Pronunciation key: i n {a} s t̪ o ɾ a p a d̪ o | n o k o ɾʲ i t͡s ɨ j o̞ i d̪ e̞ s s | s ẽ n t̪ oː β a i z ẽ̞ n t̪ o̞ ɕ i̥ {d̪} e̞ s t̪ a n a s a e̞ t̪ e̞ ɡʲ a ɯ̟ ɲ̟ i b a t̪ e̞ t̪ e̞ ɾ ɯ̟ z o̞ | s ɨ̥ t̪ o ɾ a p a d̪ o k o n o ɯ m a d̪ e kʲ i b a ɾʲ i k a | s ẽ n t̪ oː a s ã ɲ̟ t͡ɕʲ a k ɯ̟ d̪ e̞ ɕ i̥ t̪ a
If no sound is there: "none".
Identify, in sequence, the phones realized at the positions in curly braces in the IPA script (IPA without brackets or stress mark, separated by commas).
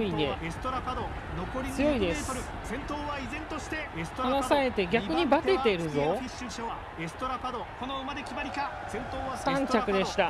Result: e, t̪